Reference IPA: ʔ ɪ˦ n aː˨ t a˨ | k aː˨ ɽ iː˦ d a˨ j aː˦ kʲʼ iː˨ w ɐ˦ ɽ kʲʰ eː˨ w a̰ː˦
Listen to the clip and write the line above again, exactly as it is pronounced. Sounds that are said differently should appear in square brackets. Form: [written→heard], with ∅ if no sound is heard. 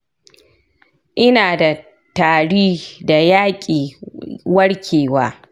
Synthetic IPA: ʔ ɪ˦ n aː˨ [t→d] a˨ | [k→t] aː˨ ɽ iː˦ d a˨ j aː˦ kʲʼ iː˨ w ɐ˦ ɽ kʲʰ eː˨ w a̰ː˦